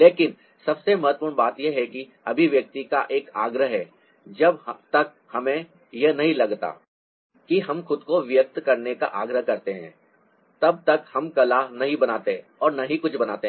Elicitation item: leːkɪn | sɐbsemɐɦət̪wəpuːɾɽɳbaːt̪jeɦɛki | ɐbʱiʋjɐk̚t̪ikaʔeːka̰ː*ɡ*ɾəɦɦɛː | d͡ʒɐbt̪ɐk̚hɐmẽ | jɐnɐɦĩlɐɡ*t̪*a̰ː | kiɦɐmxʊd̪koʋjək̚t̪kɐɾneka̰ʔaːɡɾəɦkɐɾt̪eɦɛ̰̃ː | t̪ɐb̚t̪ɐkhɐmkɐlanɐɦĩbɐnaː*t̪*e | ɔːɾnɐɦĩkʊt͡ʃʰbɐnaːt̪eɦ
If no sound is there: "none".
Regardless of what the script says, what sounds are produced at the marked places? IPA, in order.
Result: ɡ, t̪, t̪

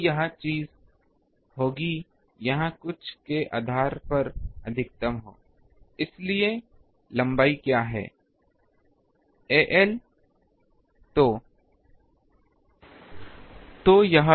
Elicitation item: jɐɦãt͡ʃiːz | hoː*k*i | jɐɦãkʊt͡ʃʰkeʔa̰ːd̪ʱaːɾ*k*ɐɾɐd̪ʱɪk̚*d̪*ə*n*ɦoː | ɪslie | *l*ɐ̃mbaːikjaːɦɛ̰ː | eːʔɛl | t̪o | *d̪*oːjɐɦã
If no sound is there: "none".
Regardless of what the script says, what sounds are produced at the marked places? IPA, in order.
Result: ɡ, p, t̪, m, l, t̪

